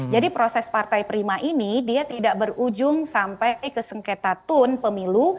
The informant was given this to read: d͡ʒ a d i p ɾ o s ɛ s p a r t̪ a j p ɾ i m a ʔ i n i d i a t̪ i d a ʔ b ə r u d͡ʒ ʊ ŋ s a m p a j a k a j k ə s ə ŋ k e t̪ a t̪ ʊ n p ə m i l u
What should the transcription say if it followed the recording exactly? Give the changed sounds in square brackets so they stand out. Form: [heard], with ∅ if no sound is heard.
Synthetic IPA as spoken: d͡ʒ a d i p ɾ o s ɛ s p a r t̪ a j p ɾ i m a ʔ i n i d i a t̪ i d a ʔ b ə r u d͡ʒ ʊ ŋ s a m p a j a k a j k ə s ə ŋ k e t̪ a t̪ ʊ n p ə m i l u